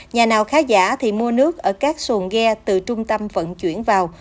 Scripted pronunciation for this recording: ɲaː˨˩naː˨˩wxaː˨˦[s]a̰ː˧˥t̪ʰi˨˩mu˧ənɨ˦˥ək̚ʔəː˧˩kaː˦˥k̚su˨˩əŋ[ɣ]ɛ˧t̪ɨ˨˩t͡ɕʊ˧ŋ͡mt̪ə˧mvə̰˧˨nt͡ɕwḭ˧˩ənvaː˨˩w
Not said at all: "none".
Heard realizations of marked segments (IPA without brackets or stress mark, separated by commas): z, ɣ